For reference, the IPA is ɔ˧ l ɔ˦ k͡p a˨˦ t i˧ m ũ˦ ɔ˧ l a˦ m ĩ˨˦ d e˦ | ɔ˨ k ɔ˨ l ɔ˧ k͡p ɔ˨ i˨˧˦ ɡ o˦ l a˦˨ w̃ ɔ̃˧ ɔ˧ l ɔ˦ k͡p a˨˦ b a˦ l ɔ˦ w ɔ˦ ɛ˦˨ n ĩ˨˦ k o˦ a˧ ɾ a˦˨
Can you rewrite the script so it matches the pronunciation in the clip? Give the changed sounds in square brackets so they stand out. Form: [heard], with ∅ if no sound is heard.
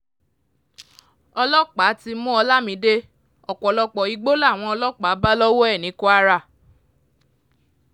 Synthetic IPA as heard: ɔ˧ l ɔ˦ k͡p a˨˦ t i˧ m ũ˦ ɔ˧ l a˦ m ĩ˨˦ d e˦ | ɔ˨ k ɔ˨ l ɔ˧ k͡p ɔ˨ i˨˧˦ [ɡ͡b] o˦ l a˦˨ w̃ ɔ̃˧ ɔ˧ l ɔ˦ k͡p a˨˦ b a˦ l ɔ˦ w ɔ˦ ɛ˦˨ n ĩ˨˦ k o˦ a˧ ɾ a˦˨